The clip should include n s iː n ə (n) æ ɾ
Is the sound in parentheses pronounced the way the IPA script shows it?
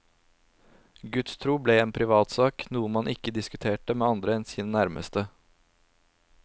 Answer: yes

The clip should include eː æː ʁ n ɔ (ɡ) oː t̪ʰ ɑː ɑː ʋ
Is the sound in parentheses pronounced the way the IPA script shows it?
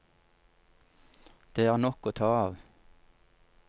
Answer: no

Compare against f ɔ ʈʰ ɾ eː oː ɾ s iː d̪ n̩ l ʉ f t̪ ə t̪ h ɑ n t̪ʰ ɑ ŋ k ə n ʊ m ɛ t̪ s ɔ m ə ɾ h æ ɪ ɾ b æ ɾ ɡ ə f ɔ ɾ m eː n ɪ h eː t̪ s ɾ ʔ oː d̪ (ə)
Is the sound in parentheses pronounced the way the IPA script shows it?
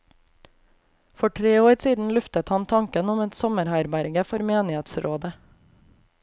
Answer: yes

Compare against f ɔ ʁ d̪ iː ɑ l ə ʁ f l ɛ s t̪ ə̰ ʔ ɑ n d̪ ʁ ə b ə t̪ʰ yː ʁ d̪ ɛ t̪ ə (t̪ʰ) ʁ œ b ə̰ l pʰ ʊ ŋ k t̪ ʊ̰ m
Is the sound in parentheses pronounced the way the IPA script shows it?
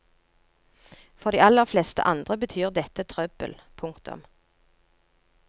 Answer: yes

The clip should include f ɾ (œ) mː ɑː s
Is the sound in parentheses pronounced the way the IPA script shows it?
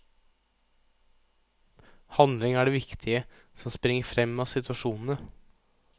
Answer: no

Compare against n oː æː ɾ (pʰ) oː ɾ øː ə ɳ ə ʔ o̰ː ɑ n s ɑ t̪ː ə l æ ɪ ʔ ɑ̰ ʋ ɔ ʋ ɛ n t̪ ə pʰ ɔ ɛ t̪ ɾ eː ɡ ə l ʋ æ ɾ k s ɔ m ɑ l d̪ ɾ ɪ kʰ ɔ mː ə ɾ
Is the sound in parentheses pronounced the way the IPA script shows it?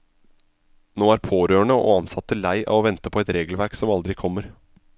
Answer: yes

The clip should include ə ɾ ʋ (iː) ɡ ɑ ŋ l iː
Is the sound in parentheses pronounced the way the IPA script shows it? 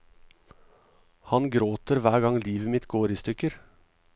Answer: no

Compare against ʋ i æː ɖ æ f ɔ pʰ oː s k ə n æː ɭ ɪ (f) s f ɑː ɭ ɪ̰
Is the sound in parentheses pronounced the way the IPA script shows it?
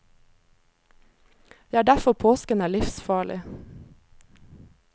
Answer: yes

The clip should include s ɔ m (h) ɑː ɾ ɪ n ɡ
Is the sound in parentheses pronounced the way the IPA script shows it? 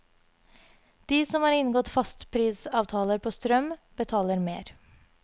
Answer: yes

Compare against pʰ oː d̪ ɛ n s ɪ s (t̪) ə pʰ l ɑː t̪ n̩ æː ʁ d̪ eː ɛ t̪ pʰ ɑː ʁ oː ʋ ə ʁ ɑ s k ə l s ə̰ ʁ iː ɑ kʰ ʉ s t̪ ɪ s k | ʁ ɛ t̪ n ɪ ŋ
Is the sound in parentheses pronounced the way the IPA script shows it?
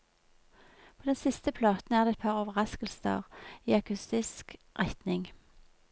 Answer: yes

